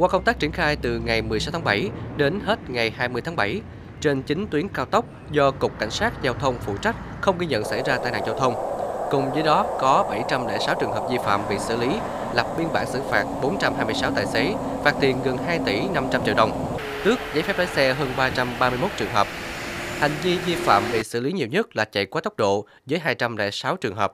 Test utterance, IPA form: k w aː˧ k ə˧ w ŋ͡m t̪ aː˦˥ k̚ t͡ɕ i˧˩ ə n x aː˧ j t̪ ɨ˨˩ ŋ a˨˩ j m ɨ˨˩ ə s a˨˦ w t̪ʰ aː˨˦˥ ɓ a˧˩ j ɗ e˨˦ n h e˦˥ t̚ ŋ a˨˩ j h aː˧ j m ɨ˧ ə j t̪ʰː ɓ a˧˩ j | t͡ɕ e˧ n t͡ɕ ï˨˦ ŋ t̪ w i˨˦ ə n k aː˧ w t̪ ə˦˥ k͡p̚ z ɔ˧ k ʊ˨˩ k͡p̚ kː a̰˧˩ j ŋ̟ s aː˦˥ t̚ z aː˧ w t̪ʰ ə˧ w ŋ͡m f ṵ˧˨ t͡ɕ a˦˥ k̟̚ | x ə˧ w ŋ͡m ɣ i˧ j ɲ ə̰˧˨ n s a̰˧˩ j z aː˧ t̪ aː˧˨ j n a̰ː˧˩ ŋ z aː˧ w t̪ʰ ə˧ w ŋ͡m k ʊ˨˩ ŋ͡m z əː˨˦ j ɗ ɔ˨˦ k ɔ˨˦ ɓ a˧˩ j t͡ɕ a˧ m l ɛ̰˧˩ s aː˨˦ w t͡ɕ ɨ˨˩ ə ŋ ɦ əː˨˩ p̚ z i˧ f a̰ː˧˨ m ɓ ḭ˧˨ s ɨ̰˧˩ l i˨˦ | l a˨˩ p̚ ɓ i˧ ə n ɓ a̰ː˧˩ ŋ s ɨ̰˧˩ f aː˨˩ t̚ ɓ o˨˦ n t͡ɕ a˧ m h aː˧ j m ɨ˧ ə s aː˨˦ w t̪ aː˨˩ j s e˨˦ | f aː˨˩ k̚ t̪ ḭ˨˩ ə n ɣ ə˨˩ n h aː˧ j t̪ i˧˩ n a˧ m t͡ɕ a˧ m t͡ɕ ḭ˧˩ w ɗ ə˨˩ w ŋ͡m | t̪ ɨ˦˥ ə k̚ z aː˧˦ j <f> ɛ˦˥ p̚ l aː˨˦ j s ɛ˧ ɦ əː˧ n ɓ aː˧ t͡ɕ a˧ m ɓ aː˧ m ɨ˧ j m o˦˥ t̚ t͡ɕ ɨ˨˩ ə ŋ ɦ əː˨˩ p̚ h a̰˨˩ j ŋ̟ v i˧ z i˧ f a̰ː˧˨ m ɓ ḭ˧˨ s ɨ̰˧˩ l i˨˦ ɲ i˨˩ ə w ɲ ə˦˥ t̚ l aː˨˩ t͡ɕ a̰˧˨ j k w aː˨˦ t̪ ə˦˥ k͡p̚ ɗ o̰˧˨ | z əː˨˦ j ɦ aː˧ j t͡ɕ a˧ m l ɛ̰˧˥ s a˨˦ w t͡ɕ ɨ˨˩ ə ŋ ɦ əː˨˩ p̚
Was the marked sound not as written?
no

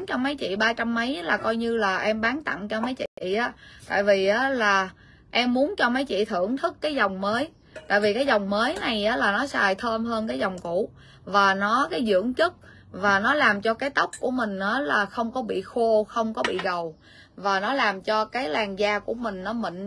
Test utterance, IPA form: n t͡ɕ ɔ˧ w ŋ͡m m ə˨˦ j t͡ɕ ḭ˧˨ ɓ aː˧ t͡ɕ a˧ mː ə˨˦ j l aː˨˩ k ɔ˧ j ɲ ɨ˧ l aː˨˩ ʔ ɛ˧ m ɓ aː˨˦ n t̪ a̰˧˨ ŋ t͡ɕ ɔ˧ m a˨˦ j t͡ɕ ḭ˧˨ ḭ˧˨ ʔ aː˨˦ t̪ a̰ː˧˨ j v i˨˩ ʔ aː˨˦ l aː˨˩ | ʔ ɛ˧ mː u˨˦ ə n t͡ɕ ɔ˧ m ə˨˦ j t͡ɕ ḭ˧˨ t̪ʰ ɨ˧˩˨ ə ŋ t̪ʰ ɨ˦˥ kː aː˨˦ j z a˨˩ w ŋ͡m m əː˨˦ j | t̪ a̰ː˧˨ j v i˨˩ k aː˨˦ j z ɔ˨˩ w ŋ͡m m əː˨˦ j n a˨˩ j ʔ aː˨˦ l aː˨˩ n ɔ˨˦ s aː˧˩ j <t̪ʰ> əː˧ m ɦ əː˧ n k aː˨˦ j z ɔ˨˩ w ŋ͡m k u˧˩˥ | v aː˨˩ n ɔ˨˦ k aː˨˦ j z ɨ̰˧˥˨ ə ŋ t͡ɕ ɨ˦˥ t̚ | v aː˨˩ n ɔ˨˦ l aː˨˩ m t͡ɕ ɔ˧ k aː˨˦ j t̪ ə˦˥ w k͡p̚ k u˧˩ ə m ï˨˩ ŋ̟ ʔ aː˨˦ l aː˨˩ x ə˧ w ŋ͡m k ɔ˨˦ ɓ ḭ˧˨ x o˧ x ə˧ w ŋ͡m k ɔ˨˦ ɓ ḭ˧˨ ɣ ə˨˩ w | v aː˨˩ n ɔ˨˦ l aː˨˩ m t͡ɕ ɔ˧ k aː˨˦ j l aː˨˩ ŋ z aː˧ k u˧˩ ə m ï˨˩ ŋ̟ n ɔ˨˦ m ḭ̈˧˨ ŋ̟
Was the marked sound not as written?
no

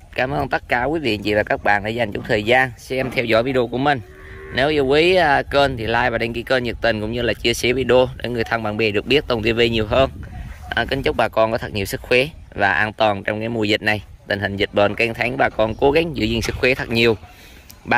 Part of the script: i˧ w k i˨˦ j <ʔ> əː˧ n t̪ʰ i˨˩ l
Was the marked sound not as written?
yes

